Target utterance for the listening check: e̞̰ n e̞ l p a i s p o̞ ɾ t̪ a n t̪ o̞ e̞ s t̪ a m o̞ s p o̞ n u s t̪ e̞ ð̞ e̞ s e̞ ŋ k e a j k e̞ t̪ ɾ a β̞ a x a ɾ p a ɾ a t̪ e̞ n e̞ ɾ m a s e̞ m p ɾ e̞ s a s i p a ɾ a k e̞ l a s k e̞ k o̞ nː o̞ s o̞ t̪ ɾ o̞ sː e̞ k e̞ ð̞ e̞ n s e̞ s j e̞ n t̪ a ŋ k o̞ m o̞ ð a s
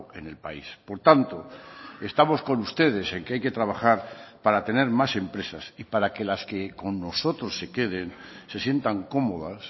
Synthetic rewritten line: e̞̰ n e̞ l p a i s p o̞ ɾ t̪ a n t̪ o̞ e̞ s t̪ a m o̞ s k o̞ n u s t̪ e̞ ð̞ e̞ s e̞ ŋ k e a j k e̞ t̪ ɾ a β̞ a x a ɾ p a ɾ a t̪ e̞ n e̞ ɾ m a s e̞ m p ɾ e̞ s a s i p a ɾ a k e̞ l a s k e̞ k o̞ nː o̞ s o̞ t̪ ɾ o̞ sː e̞ k e̞ ð̞ e̞ n s e̞ s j e̞ n t̪ a ŋ k o̞ m o̞ ð a s